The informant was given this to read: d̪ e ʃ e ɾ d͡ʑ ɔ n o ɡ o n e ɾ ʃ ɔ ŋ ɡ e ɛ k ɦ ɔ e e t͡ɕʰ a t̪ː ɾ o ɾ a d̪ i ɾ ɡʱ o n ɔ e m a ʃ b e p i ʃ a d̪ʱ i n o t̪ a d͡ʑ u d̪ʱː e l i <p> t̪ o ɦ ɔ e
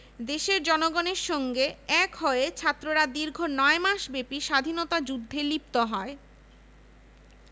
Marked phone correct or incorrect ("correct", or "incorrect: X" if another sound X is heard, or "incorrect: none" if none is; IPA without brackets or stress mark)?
correct